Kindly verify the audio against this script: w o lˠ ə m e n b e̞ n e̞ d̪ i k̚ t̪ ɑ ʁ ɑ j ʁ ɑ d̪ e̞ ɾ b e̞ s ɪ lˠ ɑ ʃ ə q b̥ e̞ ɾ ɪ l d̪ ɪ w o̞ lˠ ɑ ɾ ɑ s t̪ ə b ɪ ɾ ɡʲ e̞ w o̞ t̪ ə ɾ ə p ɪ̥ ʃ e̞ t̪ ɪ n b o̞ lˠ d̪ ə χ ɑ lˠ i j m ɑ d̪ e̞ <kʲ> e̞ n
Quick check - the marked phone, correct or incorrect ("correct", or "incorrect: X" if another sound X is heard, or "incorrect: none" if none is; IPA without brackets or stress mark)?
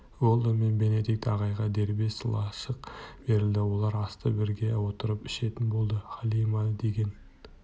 incorrect: ɡʲ